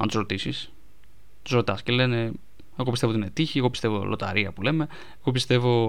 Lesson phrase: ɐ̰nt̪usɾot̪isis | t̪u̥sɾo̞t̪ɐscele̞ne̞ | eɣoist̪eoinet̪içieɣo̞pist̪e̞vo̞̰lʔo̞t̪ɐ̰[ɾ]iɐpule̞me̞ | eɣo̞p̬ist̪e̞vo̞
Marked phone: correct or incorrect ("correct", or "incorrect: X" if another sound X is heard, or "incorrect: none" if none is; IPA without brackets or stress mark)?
correct